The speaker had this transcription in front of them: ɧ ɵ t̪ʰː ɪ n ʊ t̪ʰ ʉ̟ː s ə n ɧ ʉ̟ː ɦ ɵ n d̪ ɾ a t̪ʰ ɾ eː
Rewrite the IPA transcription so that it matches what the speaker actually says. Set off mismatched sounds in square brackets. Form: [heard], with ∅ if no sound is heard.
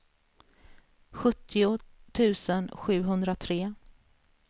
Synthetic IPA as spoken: ɧ ɵ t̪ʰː ɪ [∅] ʊ t̪ʰ ʉ̟ː s ə n ɧ ʉ̟ː ɦ ɵ n d̪ ɾ a t̪ʰ ɾ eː